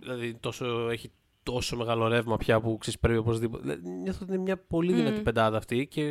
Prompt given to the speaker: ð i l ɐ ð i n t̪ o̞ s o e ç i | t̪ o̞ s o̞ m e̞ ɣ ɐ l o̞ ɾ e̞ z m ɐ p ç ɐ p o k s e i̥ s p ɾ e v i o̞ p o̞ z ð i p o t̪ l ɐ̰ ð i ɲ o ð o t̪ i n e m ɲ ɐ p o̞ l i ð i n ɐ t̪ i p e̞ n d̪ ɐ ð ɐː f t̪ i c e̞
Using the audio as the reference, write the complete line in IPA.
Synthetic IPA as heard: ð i l ɐ ð i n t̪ o̞ s o e ç i | t̪ o̞ s o̞ m e̞ ɣ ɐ l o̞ ɾ e̞ v m ɐ p ç ɐ p u k s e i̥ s p ɾ e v i o̞ p o̞ z ð i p o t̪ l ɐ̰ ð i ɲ o θ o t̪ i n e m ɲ ɐ p o̞ l i ð i n ɐ t̪ i p e̞ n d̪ ɐ ð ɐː f t̪ i c e̞